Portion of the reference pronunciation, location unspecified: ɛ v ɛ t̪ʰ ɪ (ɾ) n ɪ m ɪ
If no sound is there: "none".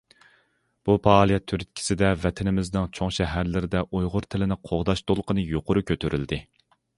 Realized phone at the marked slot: none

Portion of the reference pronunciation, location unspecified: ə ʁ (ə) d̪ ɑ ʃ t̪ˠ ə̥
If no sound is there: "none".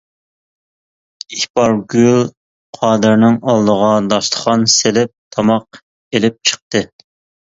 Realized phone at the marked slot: ɑ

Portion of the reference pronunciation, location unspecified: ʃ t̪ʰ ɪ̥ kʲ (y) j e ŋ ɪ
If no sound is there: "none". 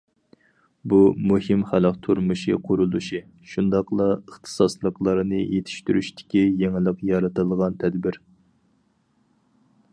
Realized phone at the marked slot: i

